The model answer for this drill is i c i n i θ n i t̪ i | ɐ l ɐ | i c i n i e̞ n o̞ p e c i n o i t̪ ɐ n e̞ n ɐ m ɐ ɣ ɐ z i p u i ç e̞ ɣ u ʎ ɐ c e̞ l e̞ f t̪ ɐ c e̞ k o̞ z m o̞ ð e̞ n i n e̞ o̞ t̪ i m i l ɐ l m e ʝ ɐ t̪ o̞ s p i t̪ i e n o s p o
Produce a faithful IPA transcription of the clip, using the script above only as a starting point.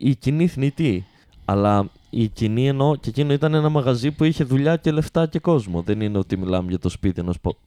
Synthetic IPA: i c i n i θ n i t̪ i | ɐ l ɐ | i c i n i e̞ n o̞ c e c i n o i t̪ ɐ n e̞ n ɐ m ɐ ɣ ɐ z i p u i ç e̞ ð u ʎ ɐ c e̞ l e̞ f t̪ ɐ c e̞ k o̞ z m o̞ ð e̞ n i n e̞ o̞ t̪ i m i l ɐ m e ʝ ɐ t̪ o̞ s p i t̪ i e n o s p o